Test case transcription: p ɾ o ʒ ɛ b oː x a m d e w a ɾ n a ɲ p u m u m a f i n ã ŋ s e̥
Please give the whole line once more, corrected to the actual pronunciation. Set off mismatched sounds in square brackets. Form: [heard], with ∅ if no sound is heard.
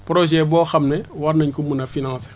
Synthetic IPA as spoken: p ɾ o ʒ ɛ b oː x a m [n] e w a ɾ n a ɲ [k] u m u [n] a f i n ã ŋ s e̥